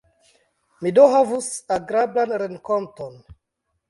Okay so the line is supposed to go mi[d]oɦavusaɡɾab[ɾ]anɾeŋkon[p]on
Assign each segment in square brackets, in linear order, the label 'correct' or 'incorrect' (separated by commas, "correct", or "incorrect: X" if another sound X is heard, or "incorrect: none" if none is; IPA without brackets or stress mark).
correct, incorrect: l, incorrect: t